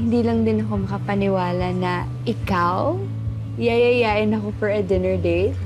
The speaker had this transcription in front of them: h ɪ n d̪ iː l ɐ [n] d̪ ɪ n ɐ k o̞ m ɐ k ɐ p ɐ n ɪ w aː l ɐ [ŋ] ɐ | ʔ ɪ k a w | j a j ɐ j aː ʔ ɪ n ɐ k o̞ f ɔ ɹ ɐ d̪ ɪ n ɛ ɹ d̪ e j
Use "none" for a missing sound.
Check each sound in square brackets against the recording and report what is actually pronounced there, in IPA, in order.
ŋ, n

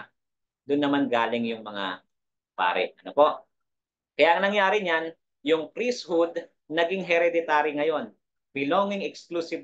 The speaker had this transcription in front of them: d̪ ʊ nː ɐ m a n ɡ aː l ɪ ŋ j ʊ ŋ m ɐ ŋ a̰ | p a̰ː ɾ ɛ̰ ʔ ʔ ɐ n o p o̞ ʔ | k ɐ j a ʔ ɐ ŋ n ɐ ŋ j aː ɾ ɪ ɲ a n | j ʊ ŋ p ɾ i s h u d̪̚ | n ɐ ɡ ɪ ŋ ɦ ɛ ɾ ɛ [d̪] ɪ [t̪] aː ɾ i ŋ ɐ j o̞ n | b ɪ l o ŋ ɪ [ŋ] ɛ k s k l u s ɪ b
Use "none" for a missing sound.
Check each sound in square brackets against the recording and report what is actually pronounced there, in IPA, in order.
d̪, t̪, ŋ

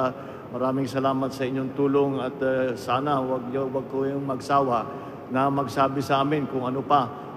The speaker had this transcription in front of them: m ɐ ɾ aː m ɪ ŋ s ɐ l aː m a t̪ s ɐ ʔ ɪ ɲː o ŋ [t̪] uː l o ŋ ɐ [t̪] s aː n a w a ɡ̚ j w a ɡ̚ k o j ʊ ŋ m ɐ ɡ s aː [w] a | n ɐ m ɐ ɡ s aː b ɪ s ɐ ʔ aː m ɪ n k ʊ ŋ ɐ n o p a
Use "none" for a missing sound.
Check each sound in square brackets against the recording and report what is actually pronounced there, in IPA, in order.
t̪, t̪, w

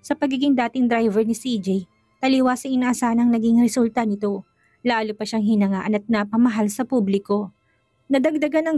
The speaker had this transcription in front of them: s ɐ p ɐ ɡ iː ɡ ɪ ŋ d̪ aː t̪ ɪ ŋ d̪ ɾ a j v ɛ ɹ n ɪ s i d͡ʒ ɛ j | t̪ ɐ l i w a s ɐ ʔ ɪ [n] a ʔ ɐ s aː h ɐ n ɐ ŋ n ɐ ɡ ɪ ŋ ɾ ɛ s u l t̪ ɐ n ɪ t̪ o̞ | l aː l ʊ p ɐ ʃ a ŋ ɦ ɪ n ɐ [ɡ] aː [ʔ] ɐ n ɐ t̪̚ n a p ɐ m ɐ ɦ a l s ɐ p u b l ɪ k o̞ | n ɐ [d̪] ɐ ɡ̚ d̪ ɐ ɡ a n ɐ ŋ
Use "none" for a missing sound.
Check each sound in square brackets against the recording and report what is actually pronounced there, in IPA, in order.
n, ŋ, ʔ, d̪

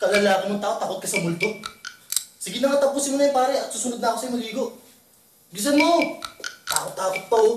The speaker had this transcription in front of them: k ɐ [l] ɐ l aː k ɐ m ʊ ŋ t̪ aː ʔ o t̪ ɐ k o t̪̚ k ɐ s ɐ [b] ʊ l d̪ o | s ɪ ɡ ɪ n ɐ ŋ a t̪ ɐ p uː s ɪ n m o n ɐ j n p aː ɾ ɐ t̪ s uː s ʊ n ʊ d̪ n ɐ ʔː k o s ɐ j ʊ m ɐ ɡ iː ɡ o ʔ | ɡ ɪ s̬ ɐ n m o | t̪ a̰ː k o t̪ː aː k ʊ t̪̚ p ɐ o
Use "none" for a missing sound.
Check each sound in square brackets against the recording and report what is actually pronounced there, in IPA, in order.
l, m

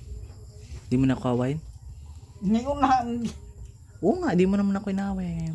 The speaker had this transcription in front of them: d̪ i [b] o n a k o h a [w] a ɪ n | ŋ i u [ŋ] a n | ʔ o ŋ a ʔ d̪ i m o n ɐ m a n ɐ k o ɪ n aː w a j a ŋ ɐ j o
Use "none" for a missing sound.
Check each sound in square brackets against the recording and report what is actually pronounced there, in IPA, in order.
m, w, n

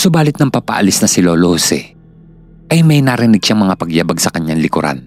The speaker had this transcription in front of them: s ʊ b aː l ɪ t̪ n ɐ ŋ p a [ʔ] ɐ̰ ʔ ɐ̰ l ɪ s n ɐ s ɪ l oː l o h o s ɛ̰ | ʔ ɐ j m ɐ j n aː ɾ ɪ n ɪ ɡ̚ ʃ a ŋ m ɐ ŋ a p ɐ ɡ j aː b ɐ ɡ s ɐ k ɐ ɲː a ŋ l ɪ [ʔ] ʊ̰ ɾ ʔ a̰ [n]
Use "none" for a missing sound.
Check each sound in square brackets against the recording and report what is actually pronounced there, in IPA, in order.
p, k, n

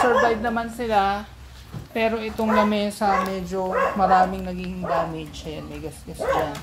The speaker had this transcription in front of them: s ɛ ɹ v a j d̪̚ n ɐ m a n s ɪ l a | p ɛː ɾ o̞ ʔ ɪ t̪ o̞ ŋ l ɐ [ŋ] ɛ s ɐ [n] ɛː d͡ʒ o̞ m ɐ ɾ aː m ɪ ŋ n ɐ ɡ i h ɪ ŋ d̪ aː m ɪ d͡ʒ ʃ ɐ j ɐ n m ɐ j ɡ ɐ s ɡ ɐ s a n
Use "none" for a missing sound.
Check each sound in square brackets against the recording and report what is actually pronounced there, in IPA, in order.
m, m

